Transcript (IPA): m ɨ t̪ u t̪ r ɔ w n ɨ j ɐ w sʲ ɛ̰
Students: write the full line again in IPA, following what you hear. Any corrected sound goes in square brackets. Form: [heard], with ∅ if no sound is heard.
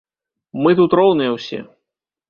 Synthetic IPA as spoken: m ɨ t̪ u t̪ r ɔ w n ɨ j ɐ w sʲ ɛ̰

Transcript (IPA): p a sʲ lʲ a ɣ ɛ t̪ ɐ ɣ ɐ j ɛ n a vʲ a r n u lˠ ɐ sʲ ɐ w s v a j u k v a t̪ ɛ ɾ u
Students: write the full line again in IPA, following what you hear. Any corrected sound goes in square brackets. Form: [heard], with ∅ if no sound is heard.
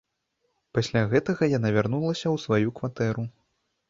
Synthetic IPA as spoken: p a sʲ lʲ a ɣ ɛ t̪ ɐ ɣ ɐ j [a] n a vʲ a r n u lˠ ɐ sʲ ɐ w s v a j u k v a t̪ ɛ ɾ u

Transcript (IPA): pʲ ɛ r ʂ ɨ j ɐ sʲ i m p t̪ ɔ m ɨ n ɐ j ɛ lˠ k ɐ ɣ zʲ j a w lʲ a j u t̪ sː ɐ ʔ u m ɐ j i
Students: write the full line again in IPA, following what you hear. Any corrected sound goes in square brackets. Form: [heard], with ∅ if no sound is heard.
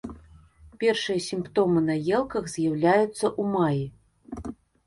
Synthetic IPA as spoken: pʲ ɛ r ʂ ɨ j ɐ sʲ i m p t̪ ɔ m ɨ n ɐ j ɛ lˠ k ɐ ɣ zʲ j a w lʲ a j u t̪ sː ɐ ʔ u m [a] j i

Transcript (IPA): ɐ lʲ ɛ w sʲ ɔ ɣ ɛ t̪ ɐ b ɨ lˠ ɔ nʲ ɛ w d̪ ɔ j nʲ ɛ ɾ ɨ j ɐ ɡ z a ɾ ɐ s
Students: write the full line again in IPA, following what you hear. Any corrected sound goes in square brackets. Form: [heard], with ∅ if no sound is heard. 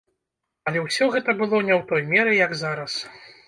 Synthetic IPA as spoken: ɐ lʲ ɛ w sʲ ɔ ɣ ɛ t̪ ɐ b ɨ lˠ ɔ nʲ ɛ w [t̪] ɔ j [mʲ] ɛ ɾ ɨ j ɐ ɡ z a ɾ ɐ s

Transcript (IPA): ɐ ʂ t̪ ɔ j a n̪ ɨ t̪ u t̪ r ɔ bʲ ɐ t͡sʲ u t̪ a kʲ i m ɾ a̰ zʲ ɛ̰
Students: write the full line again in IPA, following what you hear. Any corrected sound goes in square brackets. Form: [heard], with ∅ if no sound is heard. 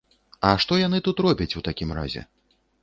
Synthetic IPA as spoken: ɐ ʂ t̪ ɔ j a n̪ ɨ t̪ u t̪ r ɔ bʲ ɐ t͡sʲ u t̪ a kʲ i m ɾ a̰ zʲ ɛ̰

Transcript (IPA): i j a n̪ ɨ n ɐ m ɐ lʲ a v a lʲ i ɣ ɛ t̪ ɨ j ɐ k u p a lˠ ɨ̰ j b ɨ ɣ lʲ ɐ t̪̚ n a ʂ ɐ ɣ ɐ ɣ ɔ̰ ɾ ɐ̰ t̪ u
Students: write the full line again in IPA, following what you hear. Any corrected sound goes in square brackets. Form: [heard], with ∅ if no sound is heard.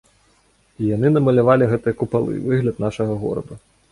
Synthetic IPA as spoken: i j a n̪ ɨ n ɐ m ɐ lʲ a v a lʲ i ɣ ɛ t̪ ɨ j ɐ k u p a lˠ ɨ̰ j [v] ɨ ɣ lʲ ɐ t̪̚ n a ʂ ɐ ɣ ɐ ɣ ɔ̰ ɾ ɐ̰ [d̪] u

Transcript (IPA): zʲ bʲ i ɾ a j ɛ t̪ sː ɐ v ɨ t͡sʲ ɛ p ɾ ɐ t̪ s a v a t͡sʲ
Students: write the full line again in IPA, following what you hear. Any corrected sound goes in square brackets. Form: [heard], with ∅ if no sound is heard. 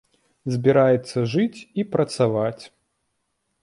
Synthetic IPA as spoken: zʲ bʲ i ɾ a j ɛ t̪ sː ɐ [ʐ] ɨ t͡sʲ [i] p ɾ ɐ t̪ s a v a t͡sʲ

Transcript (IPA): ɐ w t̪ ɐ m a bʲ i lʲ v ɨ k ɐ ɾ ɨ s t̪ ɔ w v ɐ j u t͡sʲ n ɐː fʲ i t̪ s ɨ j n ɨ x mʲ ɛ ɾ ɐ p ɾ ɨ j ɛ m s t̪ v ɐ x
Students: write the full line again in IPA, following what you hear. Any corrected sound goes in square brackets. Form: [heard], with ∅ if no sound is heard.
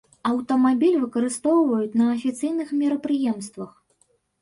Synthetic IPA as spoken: ɐ w t̪ ɐ m a bʲ i lʲ v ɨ k ɐ ɾ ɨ s t̪ ɔ w v ɐ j u t͡sʲ n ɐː fʲ i t̪ s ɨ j n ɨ x mʲ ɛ ɾ ɐ p ɾ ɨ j ɛ m s t̪ v ɐ x

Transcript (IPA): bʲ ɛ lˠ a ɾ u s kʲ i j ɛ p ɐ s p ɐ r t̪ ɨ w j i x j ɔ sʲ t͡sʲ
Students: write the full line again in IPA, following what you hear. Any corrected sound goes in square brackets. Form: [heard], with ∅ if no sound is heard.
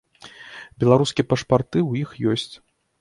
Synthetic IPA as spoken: bʲ ɛ lˠ a ɾ u s kʲ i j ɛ p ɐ [ʂ] p [a] r t̪ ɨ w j i x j ɔ sʲ t͡sʲ

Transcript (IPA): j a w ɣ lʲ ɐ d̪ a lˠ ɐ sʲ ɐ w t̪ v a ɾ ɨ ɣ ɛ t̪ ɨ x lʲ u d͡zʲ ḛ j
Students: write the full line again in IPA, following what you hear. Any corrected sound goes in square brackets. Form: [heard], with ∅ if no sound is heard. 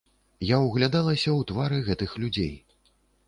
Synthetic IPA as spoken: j a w ɣ lʲ [a] d̪ a lˠ ɐ sʲ ɐ w t̪ v a ɾ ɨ ɣ ɛ t̪ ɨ x lʲ u d͡zʲ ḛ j

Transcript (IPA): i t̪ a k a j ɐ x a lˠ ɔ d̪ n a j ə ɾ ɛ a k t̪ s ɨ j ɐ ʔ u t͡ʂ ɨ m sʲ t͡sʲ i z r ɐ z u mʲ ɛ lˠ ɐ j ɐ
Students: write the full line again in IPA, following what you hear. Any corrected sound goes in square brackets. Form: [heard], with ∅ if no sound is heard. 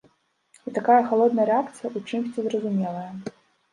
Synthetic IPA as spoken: i t̪ a k a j ɐ x a lˠ ɔ d̪ n [ɐ] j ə ɾ ɛ a k t̪ s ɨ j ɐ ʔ u t͡ʂ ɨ m sʲ t͡sʲ i z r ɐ z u mʲ ɛ lˠ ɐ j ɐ

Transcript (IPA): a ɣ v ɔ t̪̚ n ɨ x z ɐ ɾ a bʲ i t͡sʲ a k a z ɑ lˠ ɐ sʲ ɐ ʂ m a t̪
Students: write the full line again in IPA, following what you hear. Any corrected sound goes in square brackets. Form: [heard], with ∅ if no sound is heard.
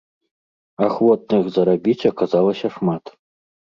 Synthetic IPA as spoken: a [x] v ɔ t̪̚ n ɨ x z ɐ ɾ a bʲ i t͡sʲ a k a z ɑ lˠ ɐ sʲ ɐ ʂ m a t̪

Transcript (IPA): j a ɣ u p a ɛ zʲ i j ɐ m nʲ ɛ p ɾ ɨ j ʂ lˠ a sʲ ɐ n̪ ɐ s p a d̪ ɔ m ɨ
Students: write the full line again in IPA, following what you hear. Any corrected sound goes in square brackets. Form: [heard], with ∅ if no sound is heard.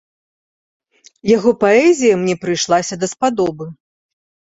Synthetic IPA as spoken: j a ɣ [ɔ] p a ɛ zʲ i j ɐ m nʲ ɛ p ɾ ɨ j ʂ lˠ a sʲ ɐ [d̪] ɐ s p a d̪ ɔ [b] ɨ

